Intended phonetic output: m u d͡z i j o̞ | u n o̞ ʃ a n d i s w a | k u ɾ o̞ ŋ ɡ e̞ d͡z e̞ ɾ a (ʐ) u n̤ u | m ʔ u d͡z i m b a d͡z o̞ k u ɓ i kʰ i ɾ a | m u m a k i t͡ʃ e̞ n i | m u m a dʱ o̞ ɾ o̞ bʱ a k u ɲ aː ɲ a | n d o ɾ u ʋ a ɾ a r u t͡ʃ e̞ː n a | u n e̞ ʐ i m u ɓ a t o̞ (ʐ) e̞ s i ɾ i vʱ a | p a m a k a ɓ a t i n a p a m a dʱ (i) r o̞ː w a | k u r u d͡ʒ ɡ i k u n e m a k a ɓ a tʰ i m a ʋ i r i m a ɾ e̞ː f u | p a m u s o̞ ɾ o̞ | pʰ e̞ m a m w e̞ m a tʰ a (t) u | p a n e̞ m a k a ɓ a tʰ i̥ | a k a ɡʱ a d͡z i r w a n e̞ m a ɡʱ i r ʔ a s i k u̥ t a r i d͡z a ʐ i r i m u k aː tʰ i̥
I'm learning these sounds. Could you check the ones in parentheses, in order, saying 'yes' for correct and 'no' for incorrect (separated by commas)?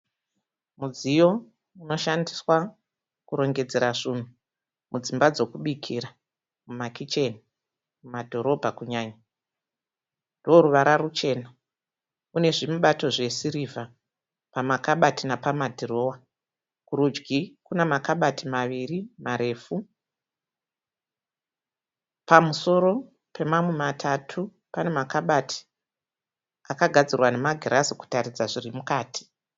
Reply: yes, yes, yes, no